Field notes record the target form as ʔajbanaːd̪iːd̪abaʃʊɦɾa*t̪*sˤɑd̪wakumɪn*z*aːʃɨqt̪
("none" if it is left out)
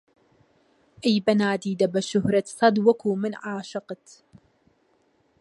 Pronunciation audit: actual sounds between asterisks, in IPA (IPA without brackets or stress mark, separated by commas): t̪, ʕ